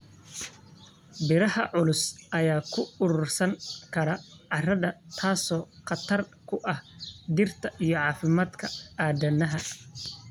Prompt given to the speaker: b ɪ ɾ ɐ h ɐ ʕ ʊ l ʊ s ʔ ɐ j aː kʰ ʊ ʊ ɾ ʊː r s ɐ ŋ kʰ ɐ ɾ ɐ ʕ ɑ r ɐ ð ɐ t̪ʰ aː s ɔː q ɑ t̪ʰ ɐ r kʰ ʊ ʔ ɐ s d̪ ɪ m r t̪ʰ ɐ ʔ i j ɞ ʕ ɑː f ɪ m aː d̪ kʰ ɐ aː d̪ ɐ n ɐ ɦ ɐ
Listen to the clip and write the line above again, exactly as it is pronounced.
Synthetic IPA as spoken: b ɪ ɾ ɐ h ɐ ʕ ʊ l ʊ s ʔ ɐ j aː kʰ ʊ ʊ ɾ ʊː r s ɐ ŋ kʰ ɐ ɾ ɐ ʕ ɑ r ɐ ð ɐ t̪ʰ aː s ɔː q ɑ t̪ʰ ɐ r kʰ ʊ ʔ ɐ h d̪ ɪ r t̪ʰ ɐ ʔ i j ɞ ʕ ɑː f ɪ m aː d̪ kʰ ɐ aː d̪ ɐ n ɐ ɦ ɐ